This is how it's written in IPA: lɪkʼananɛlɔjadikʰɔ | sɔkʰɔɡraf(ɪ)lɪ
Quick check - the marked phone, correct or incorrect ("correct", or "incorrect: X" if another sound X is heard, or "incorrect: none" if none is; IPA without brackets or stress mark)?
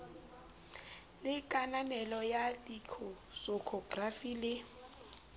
incorrect: i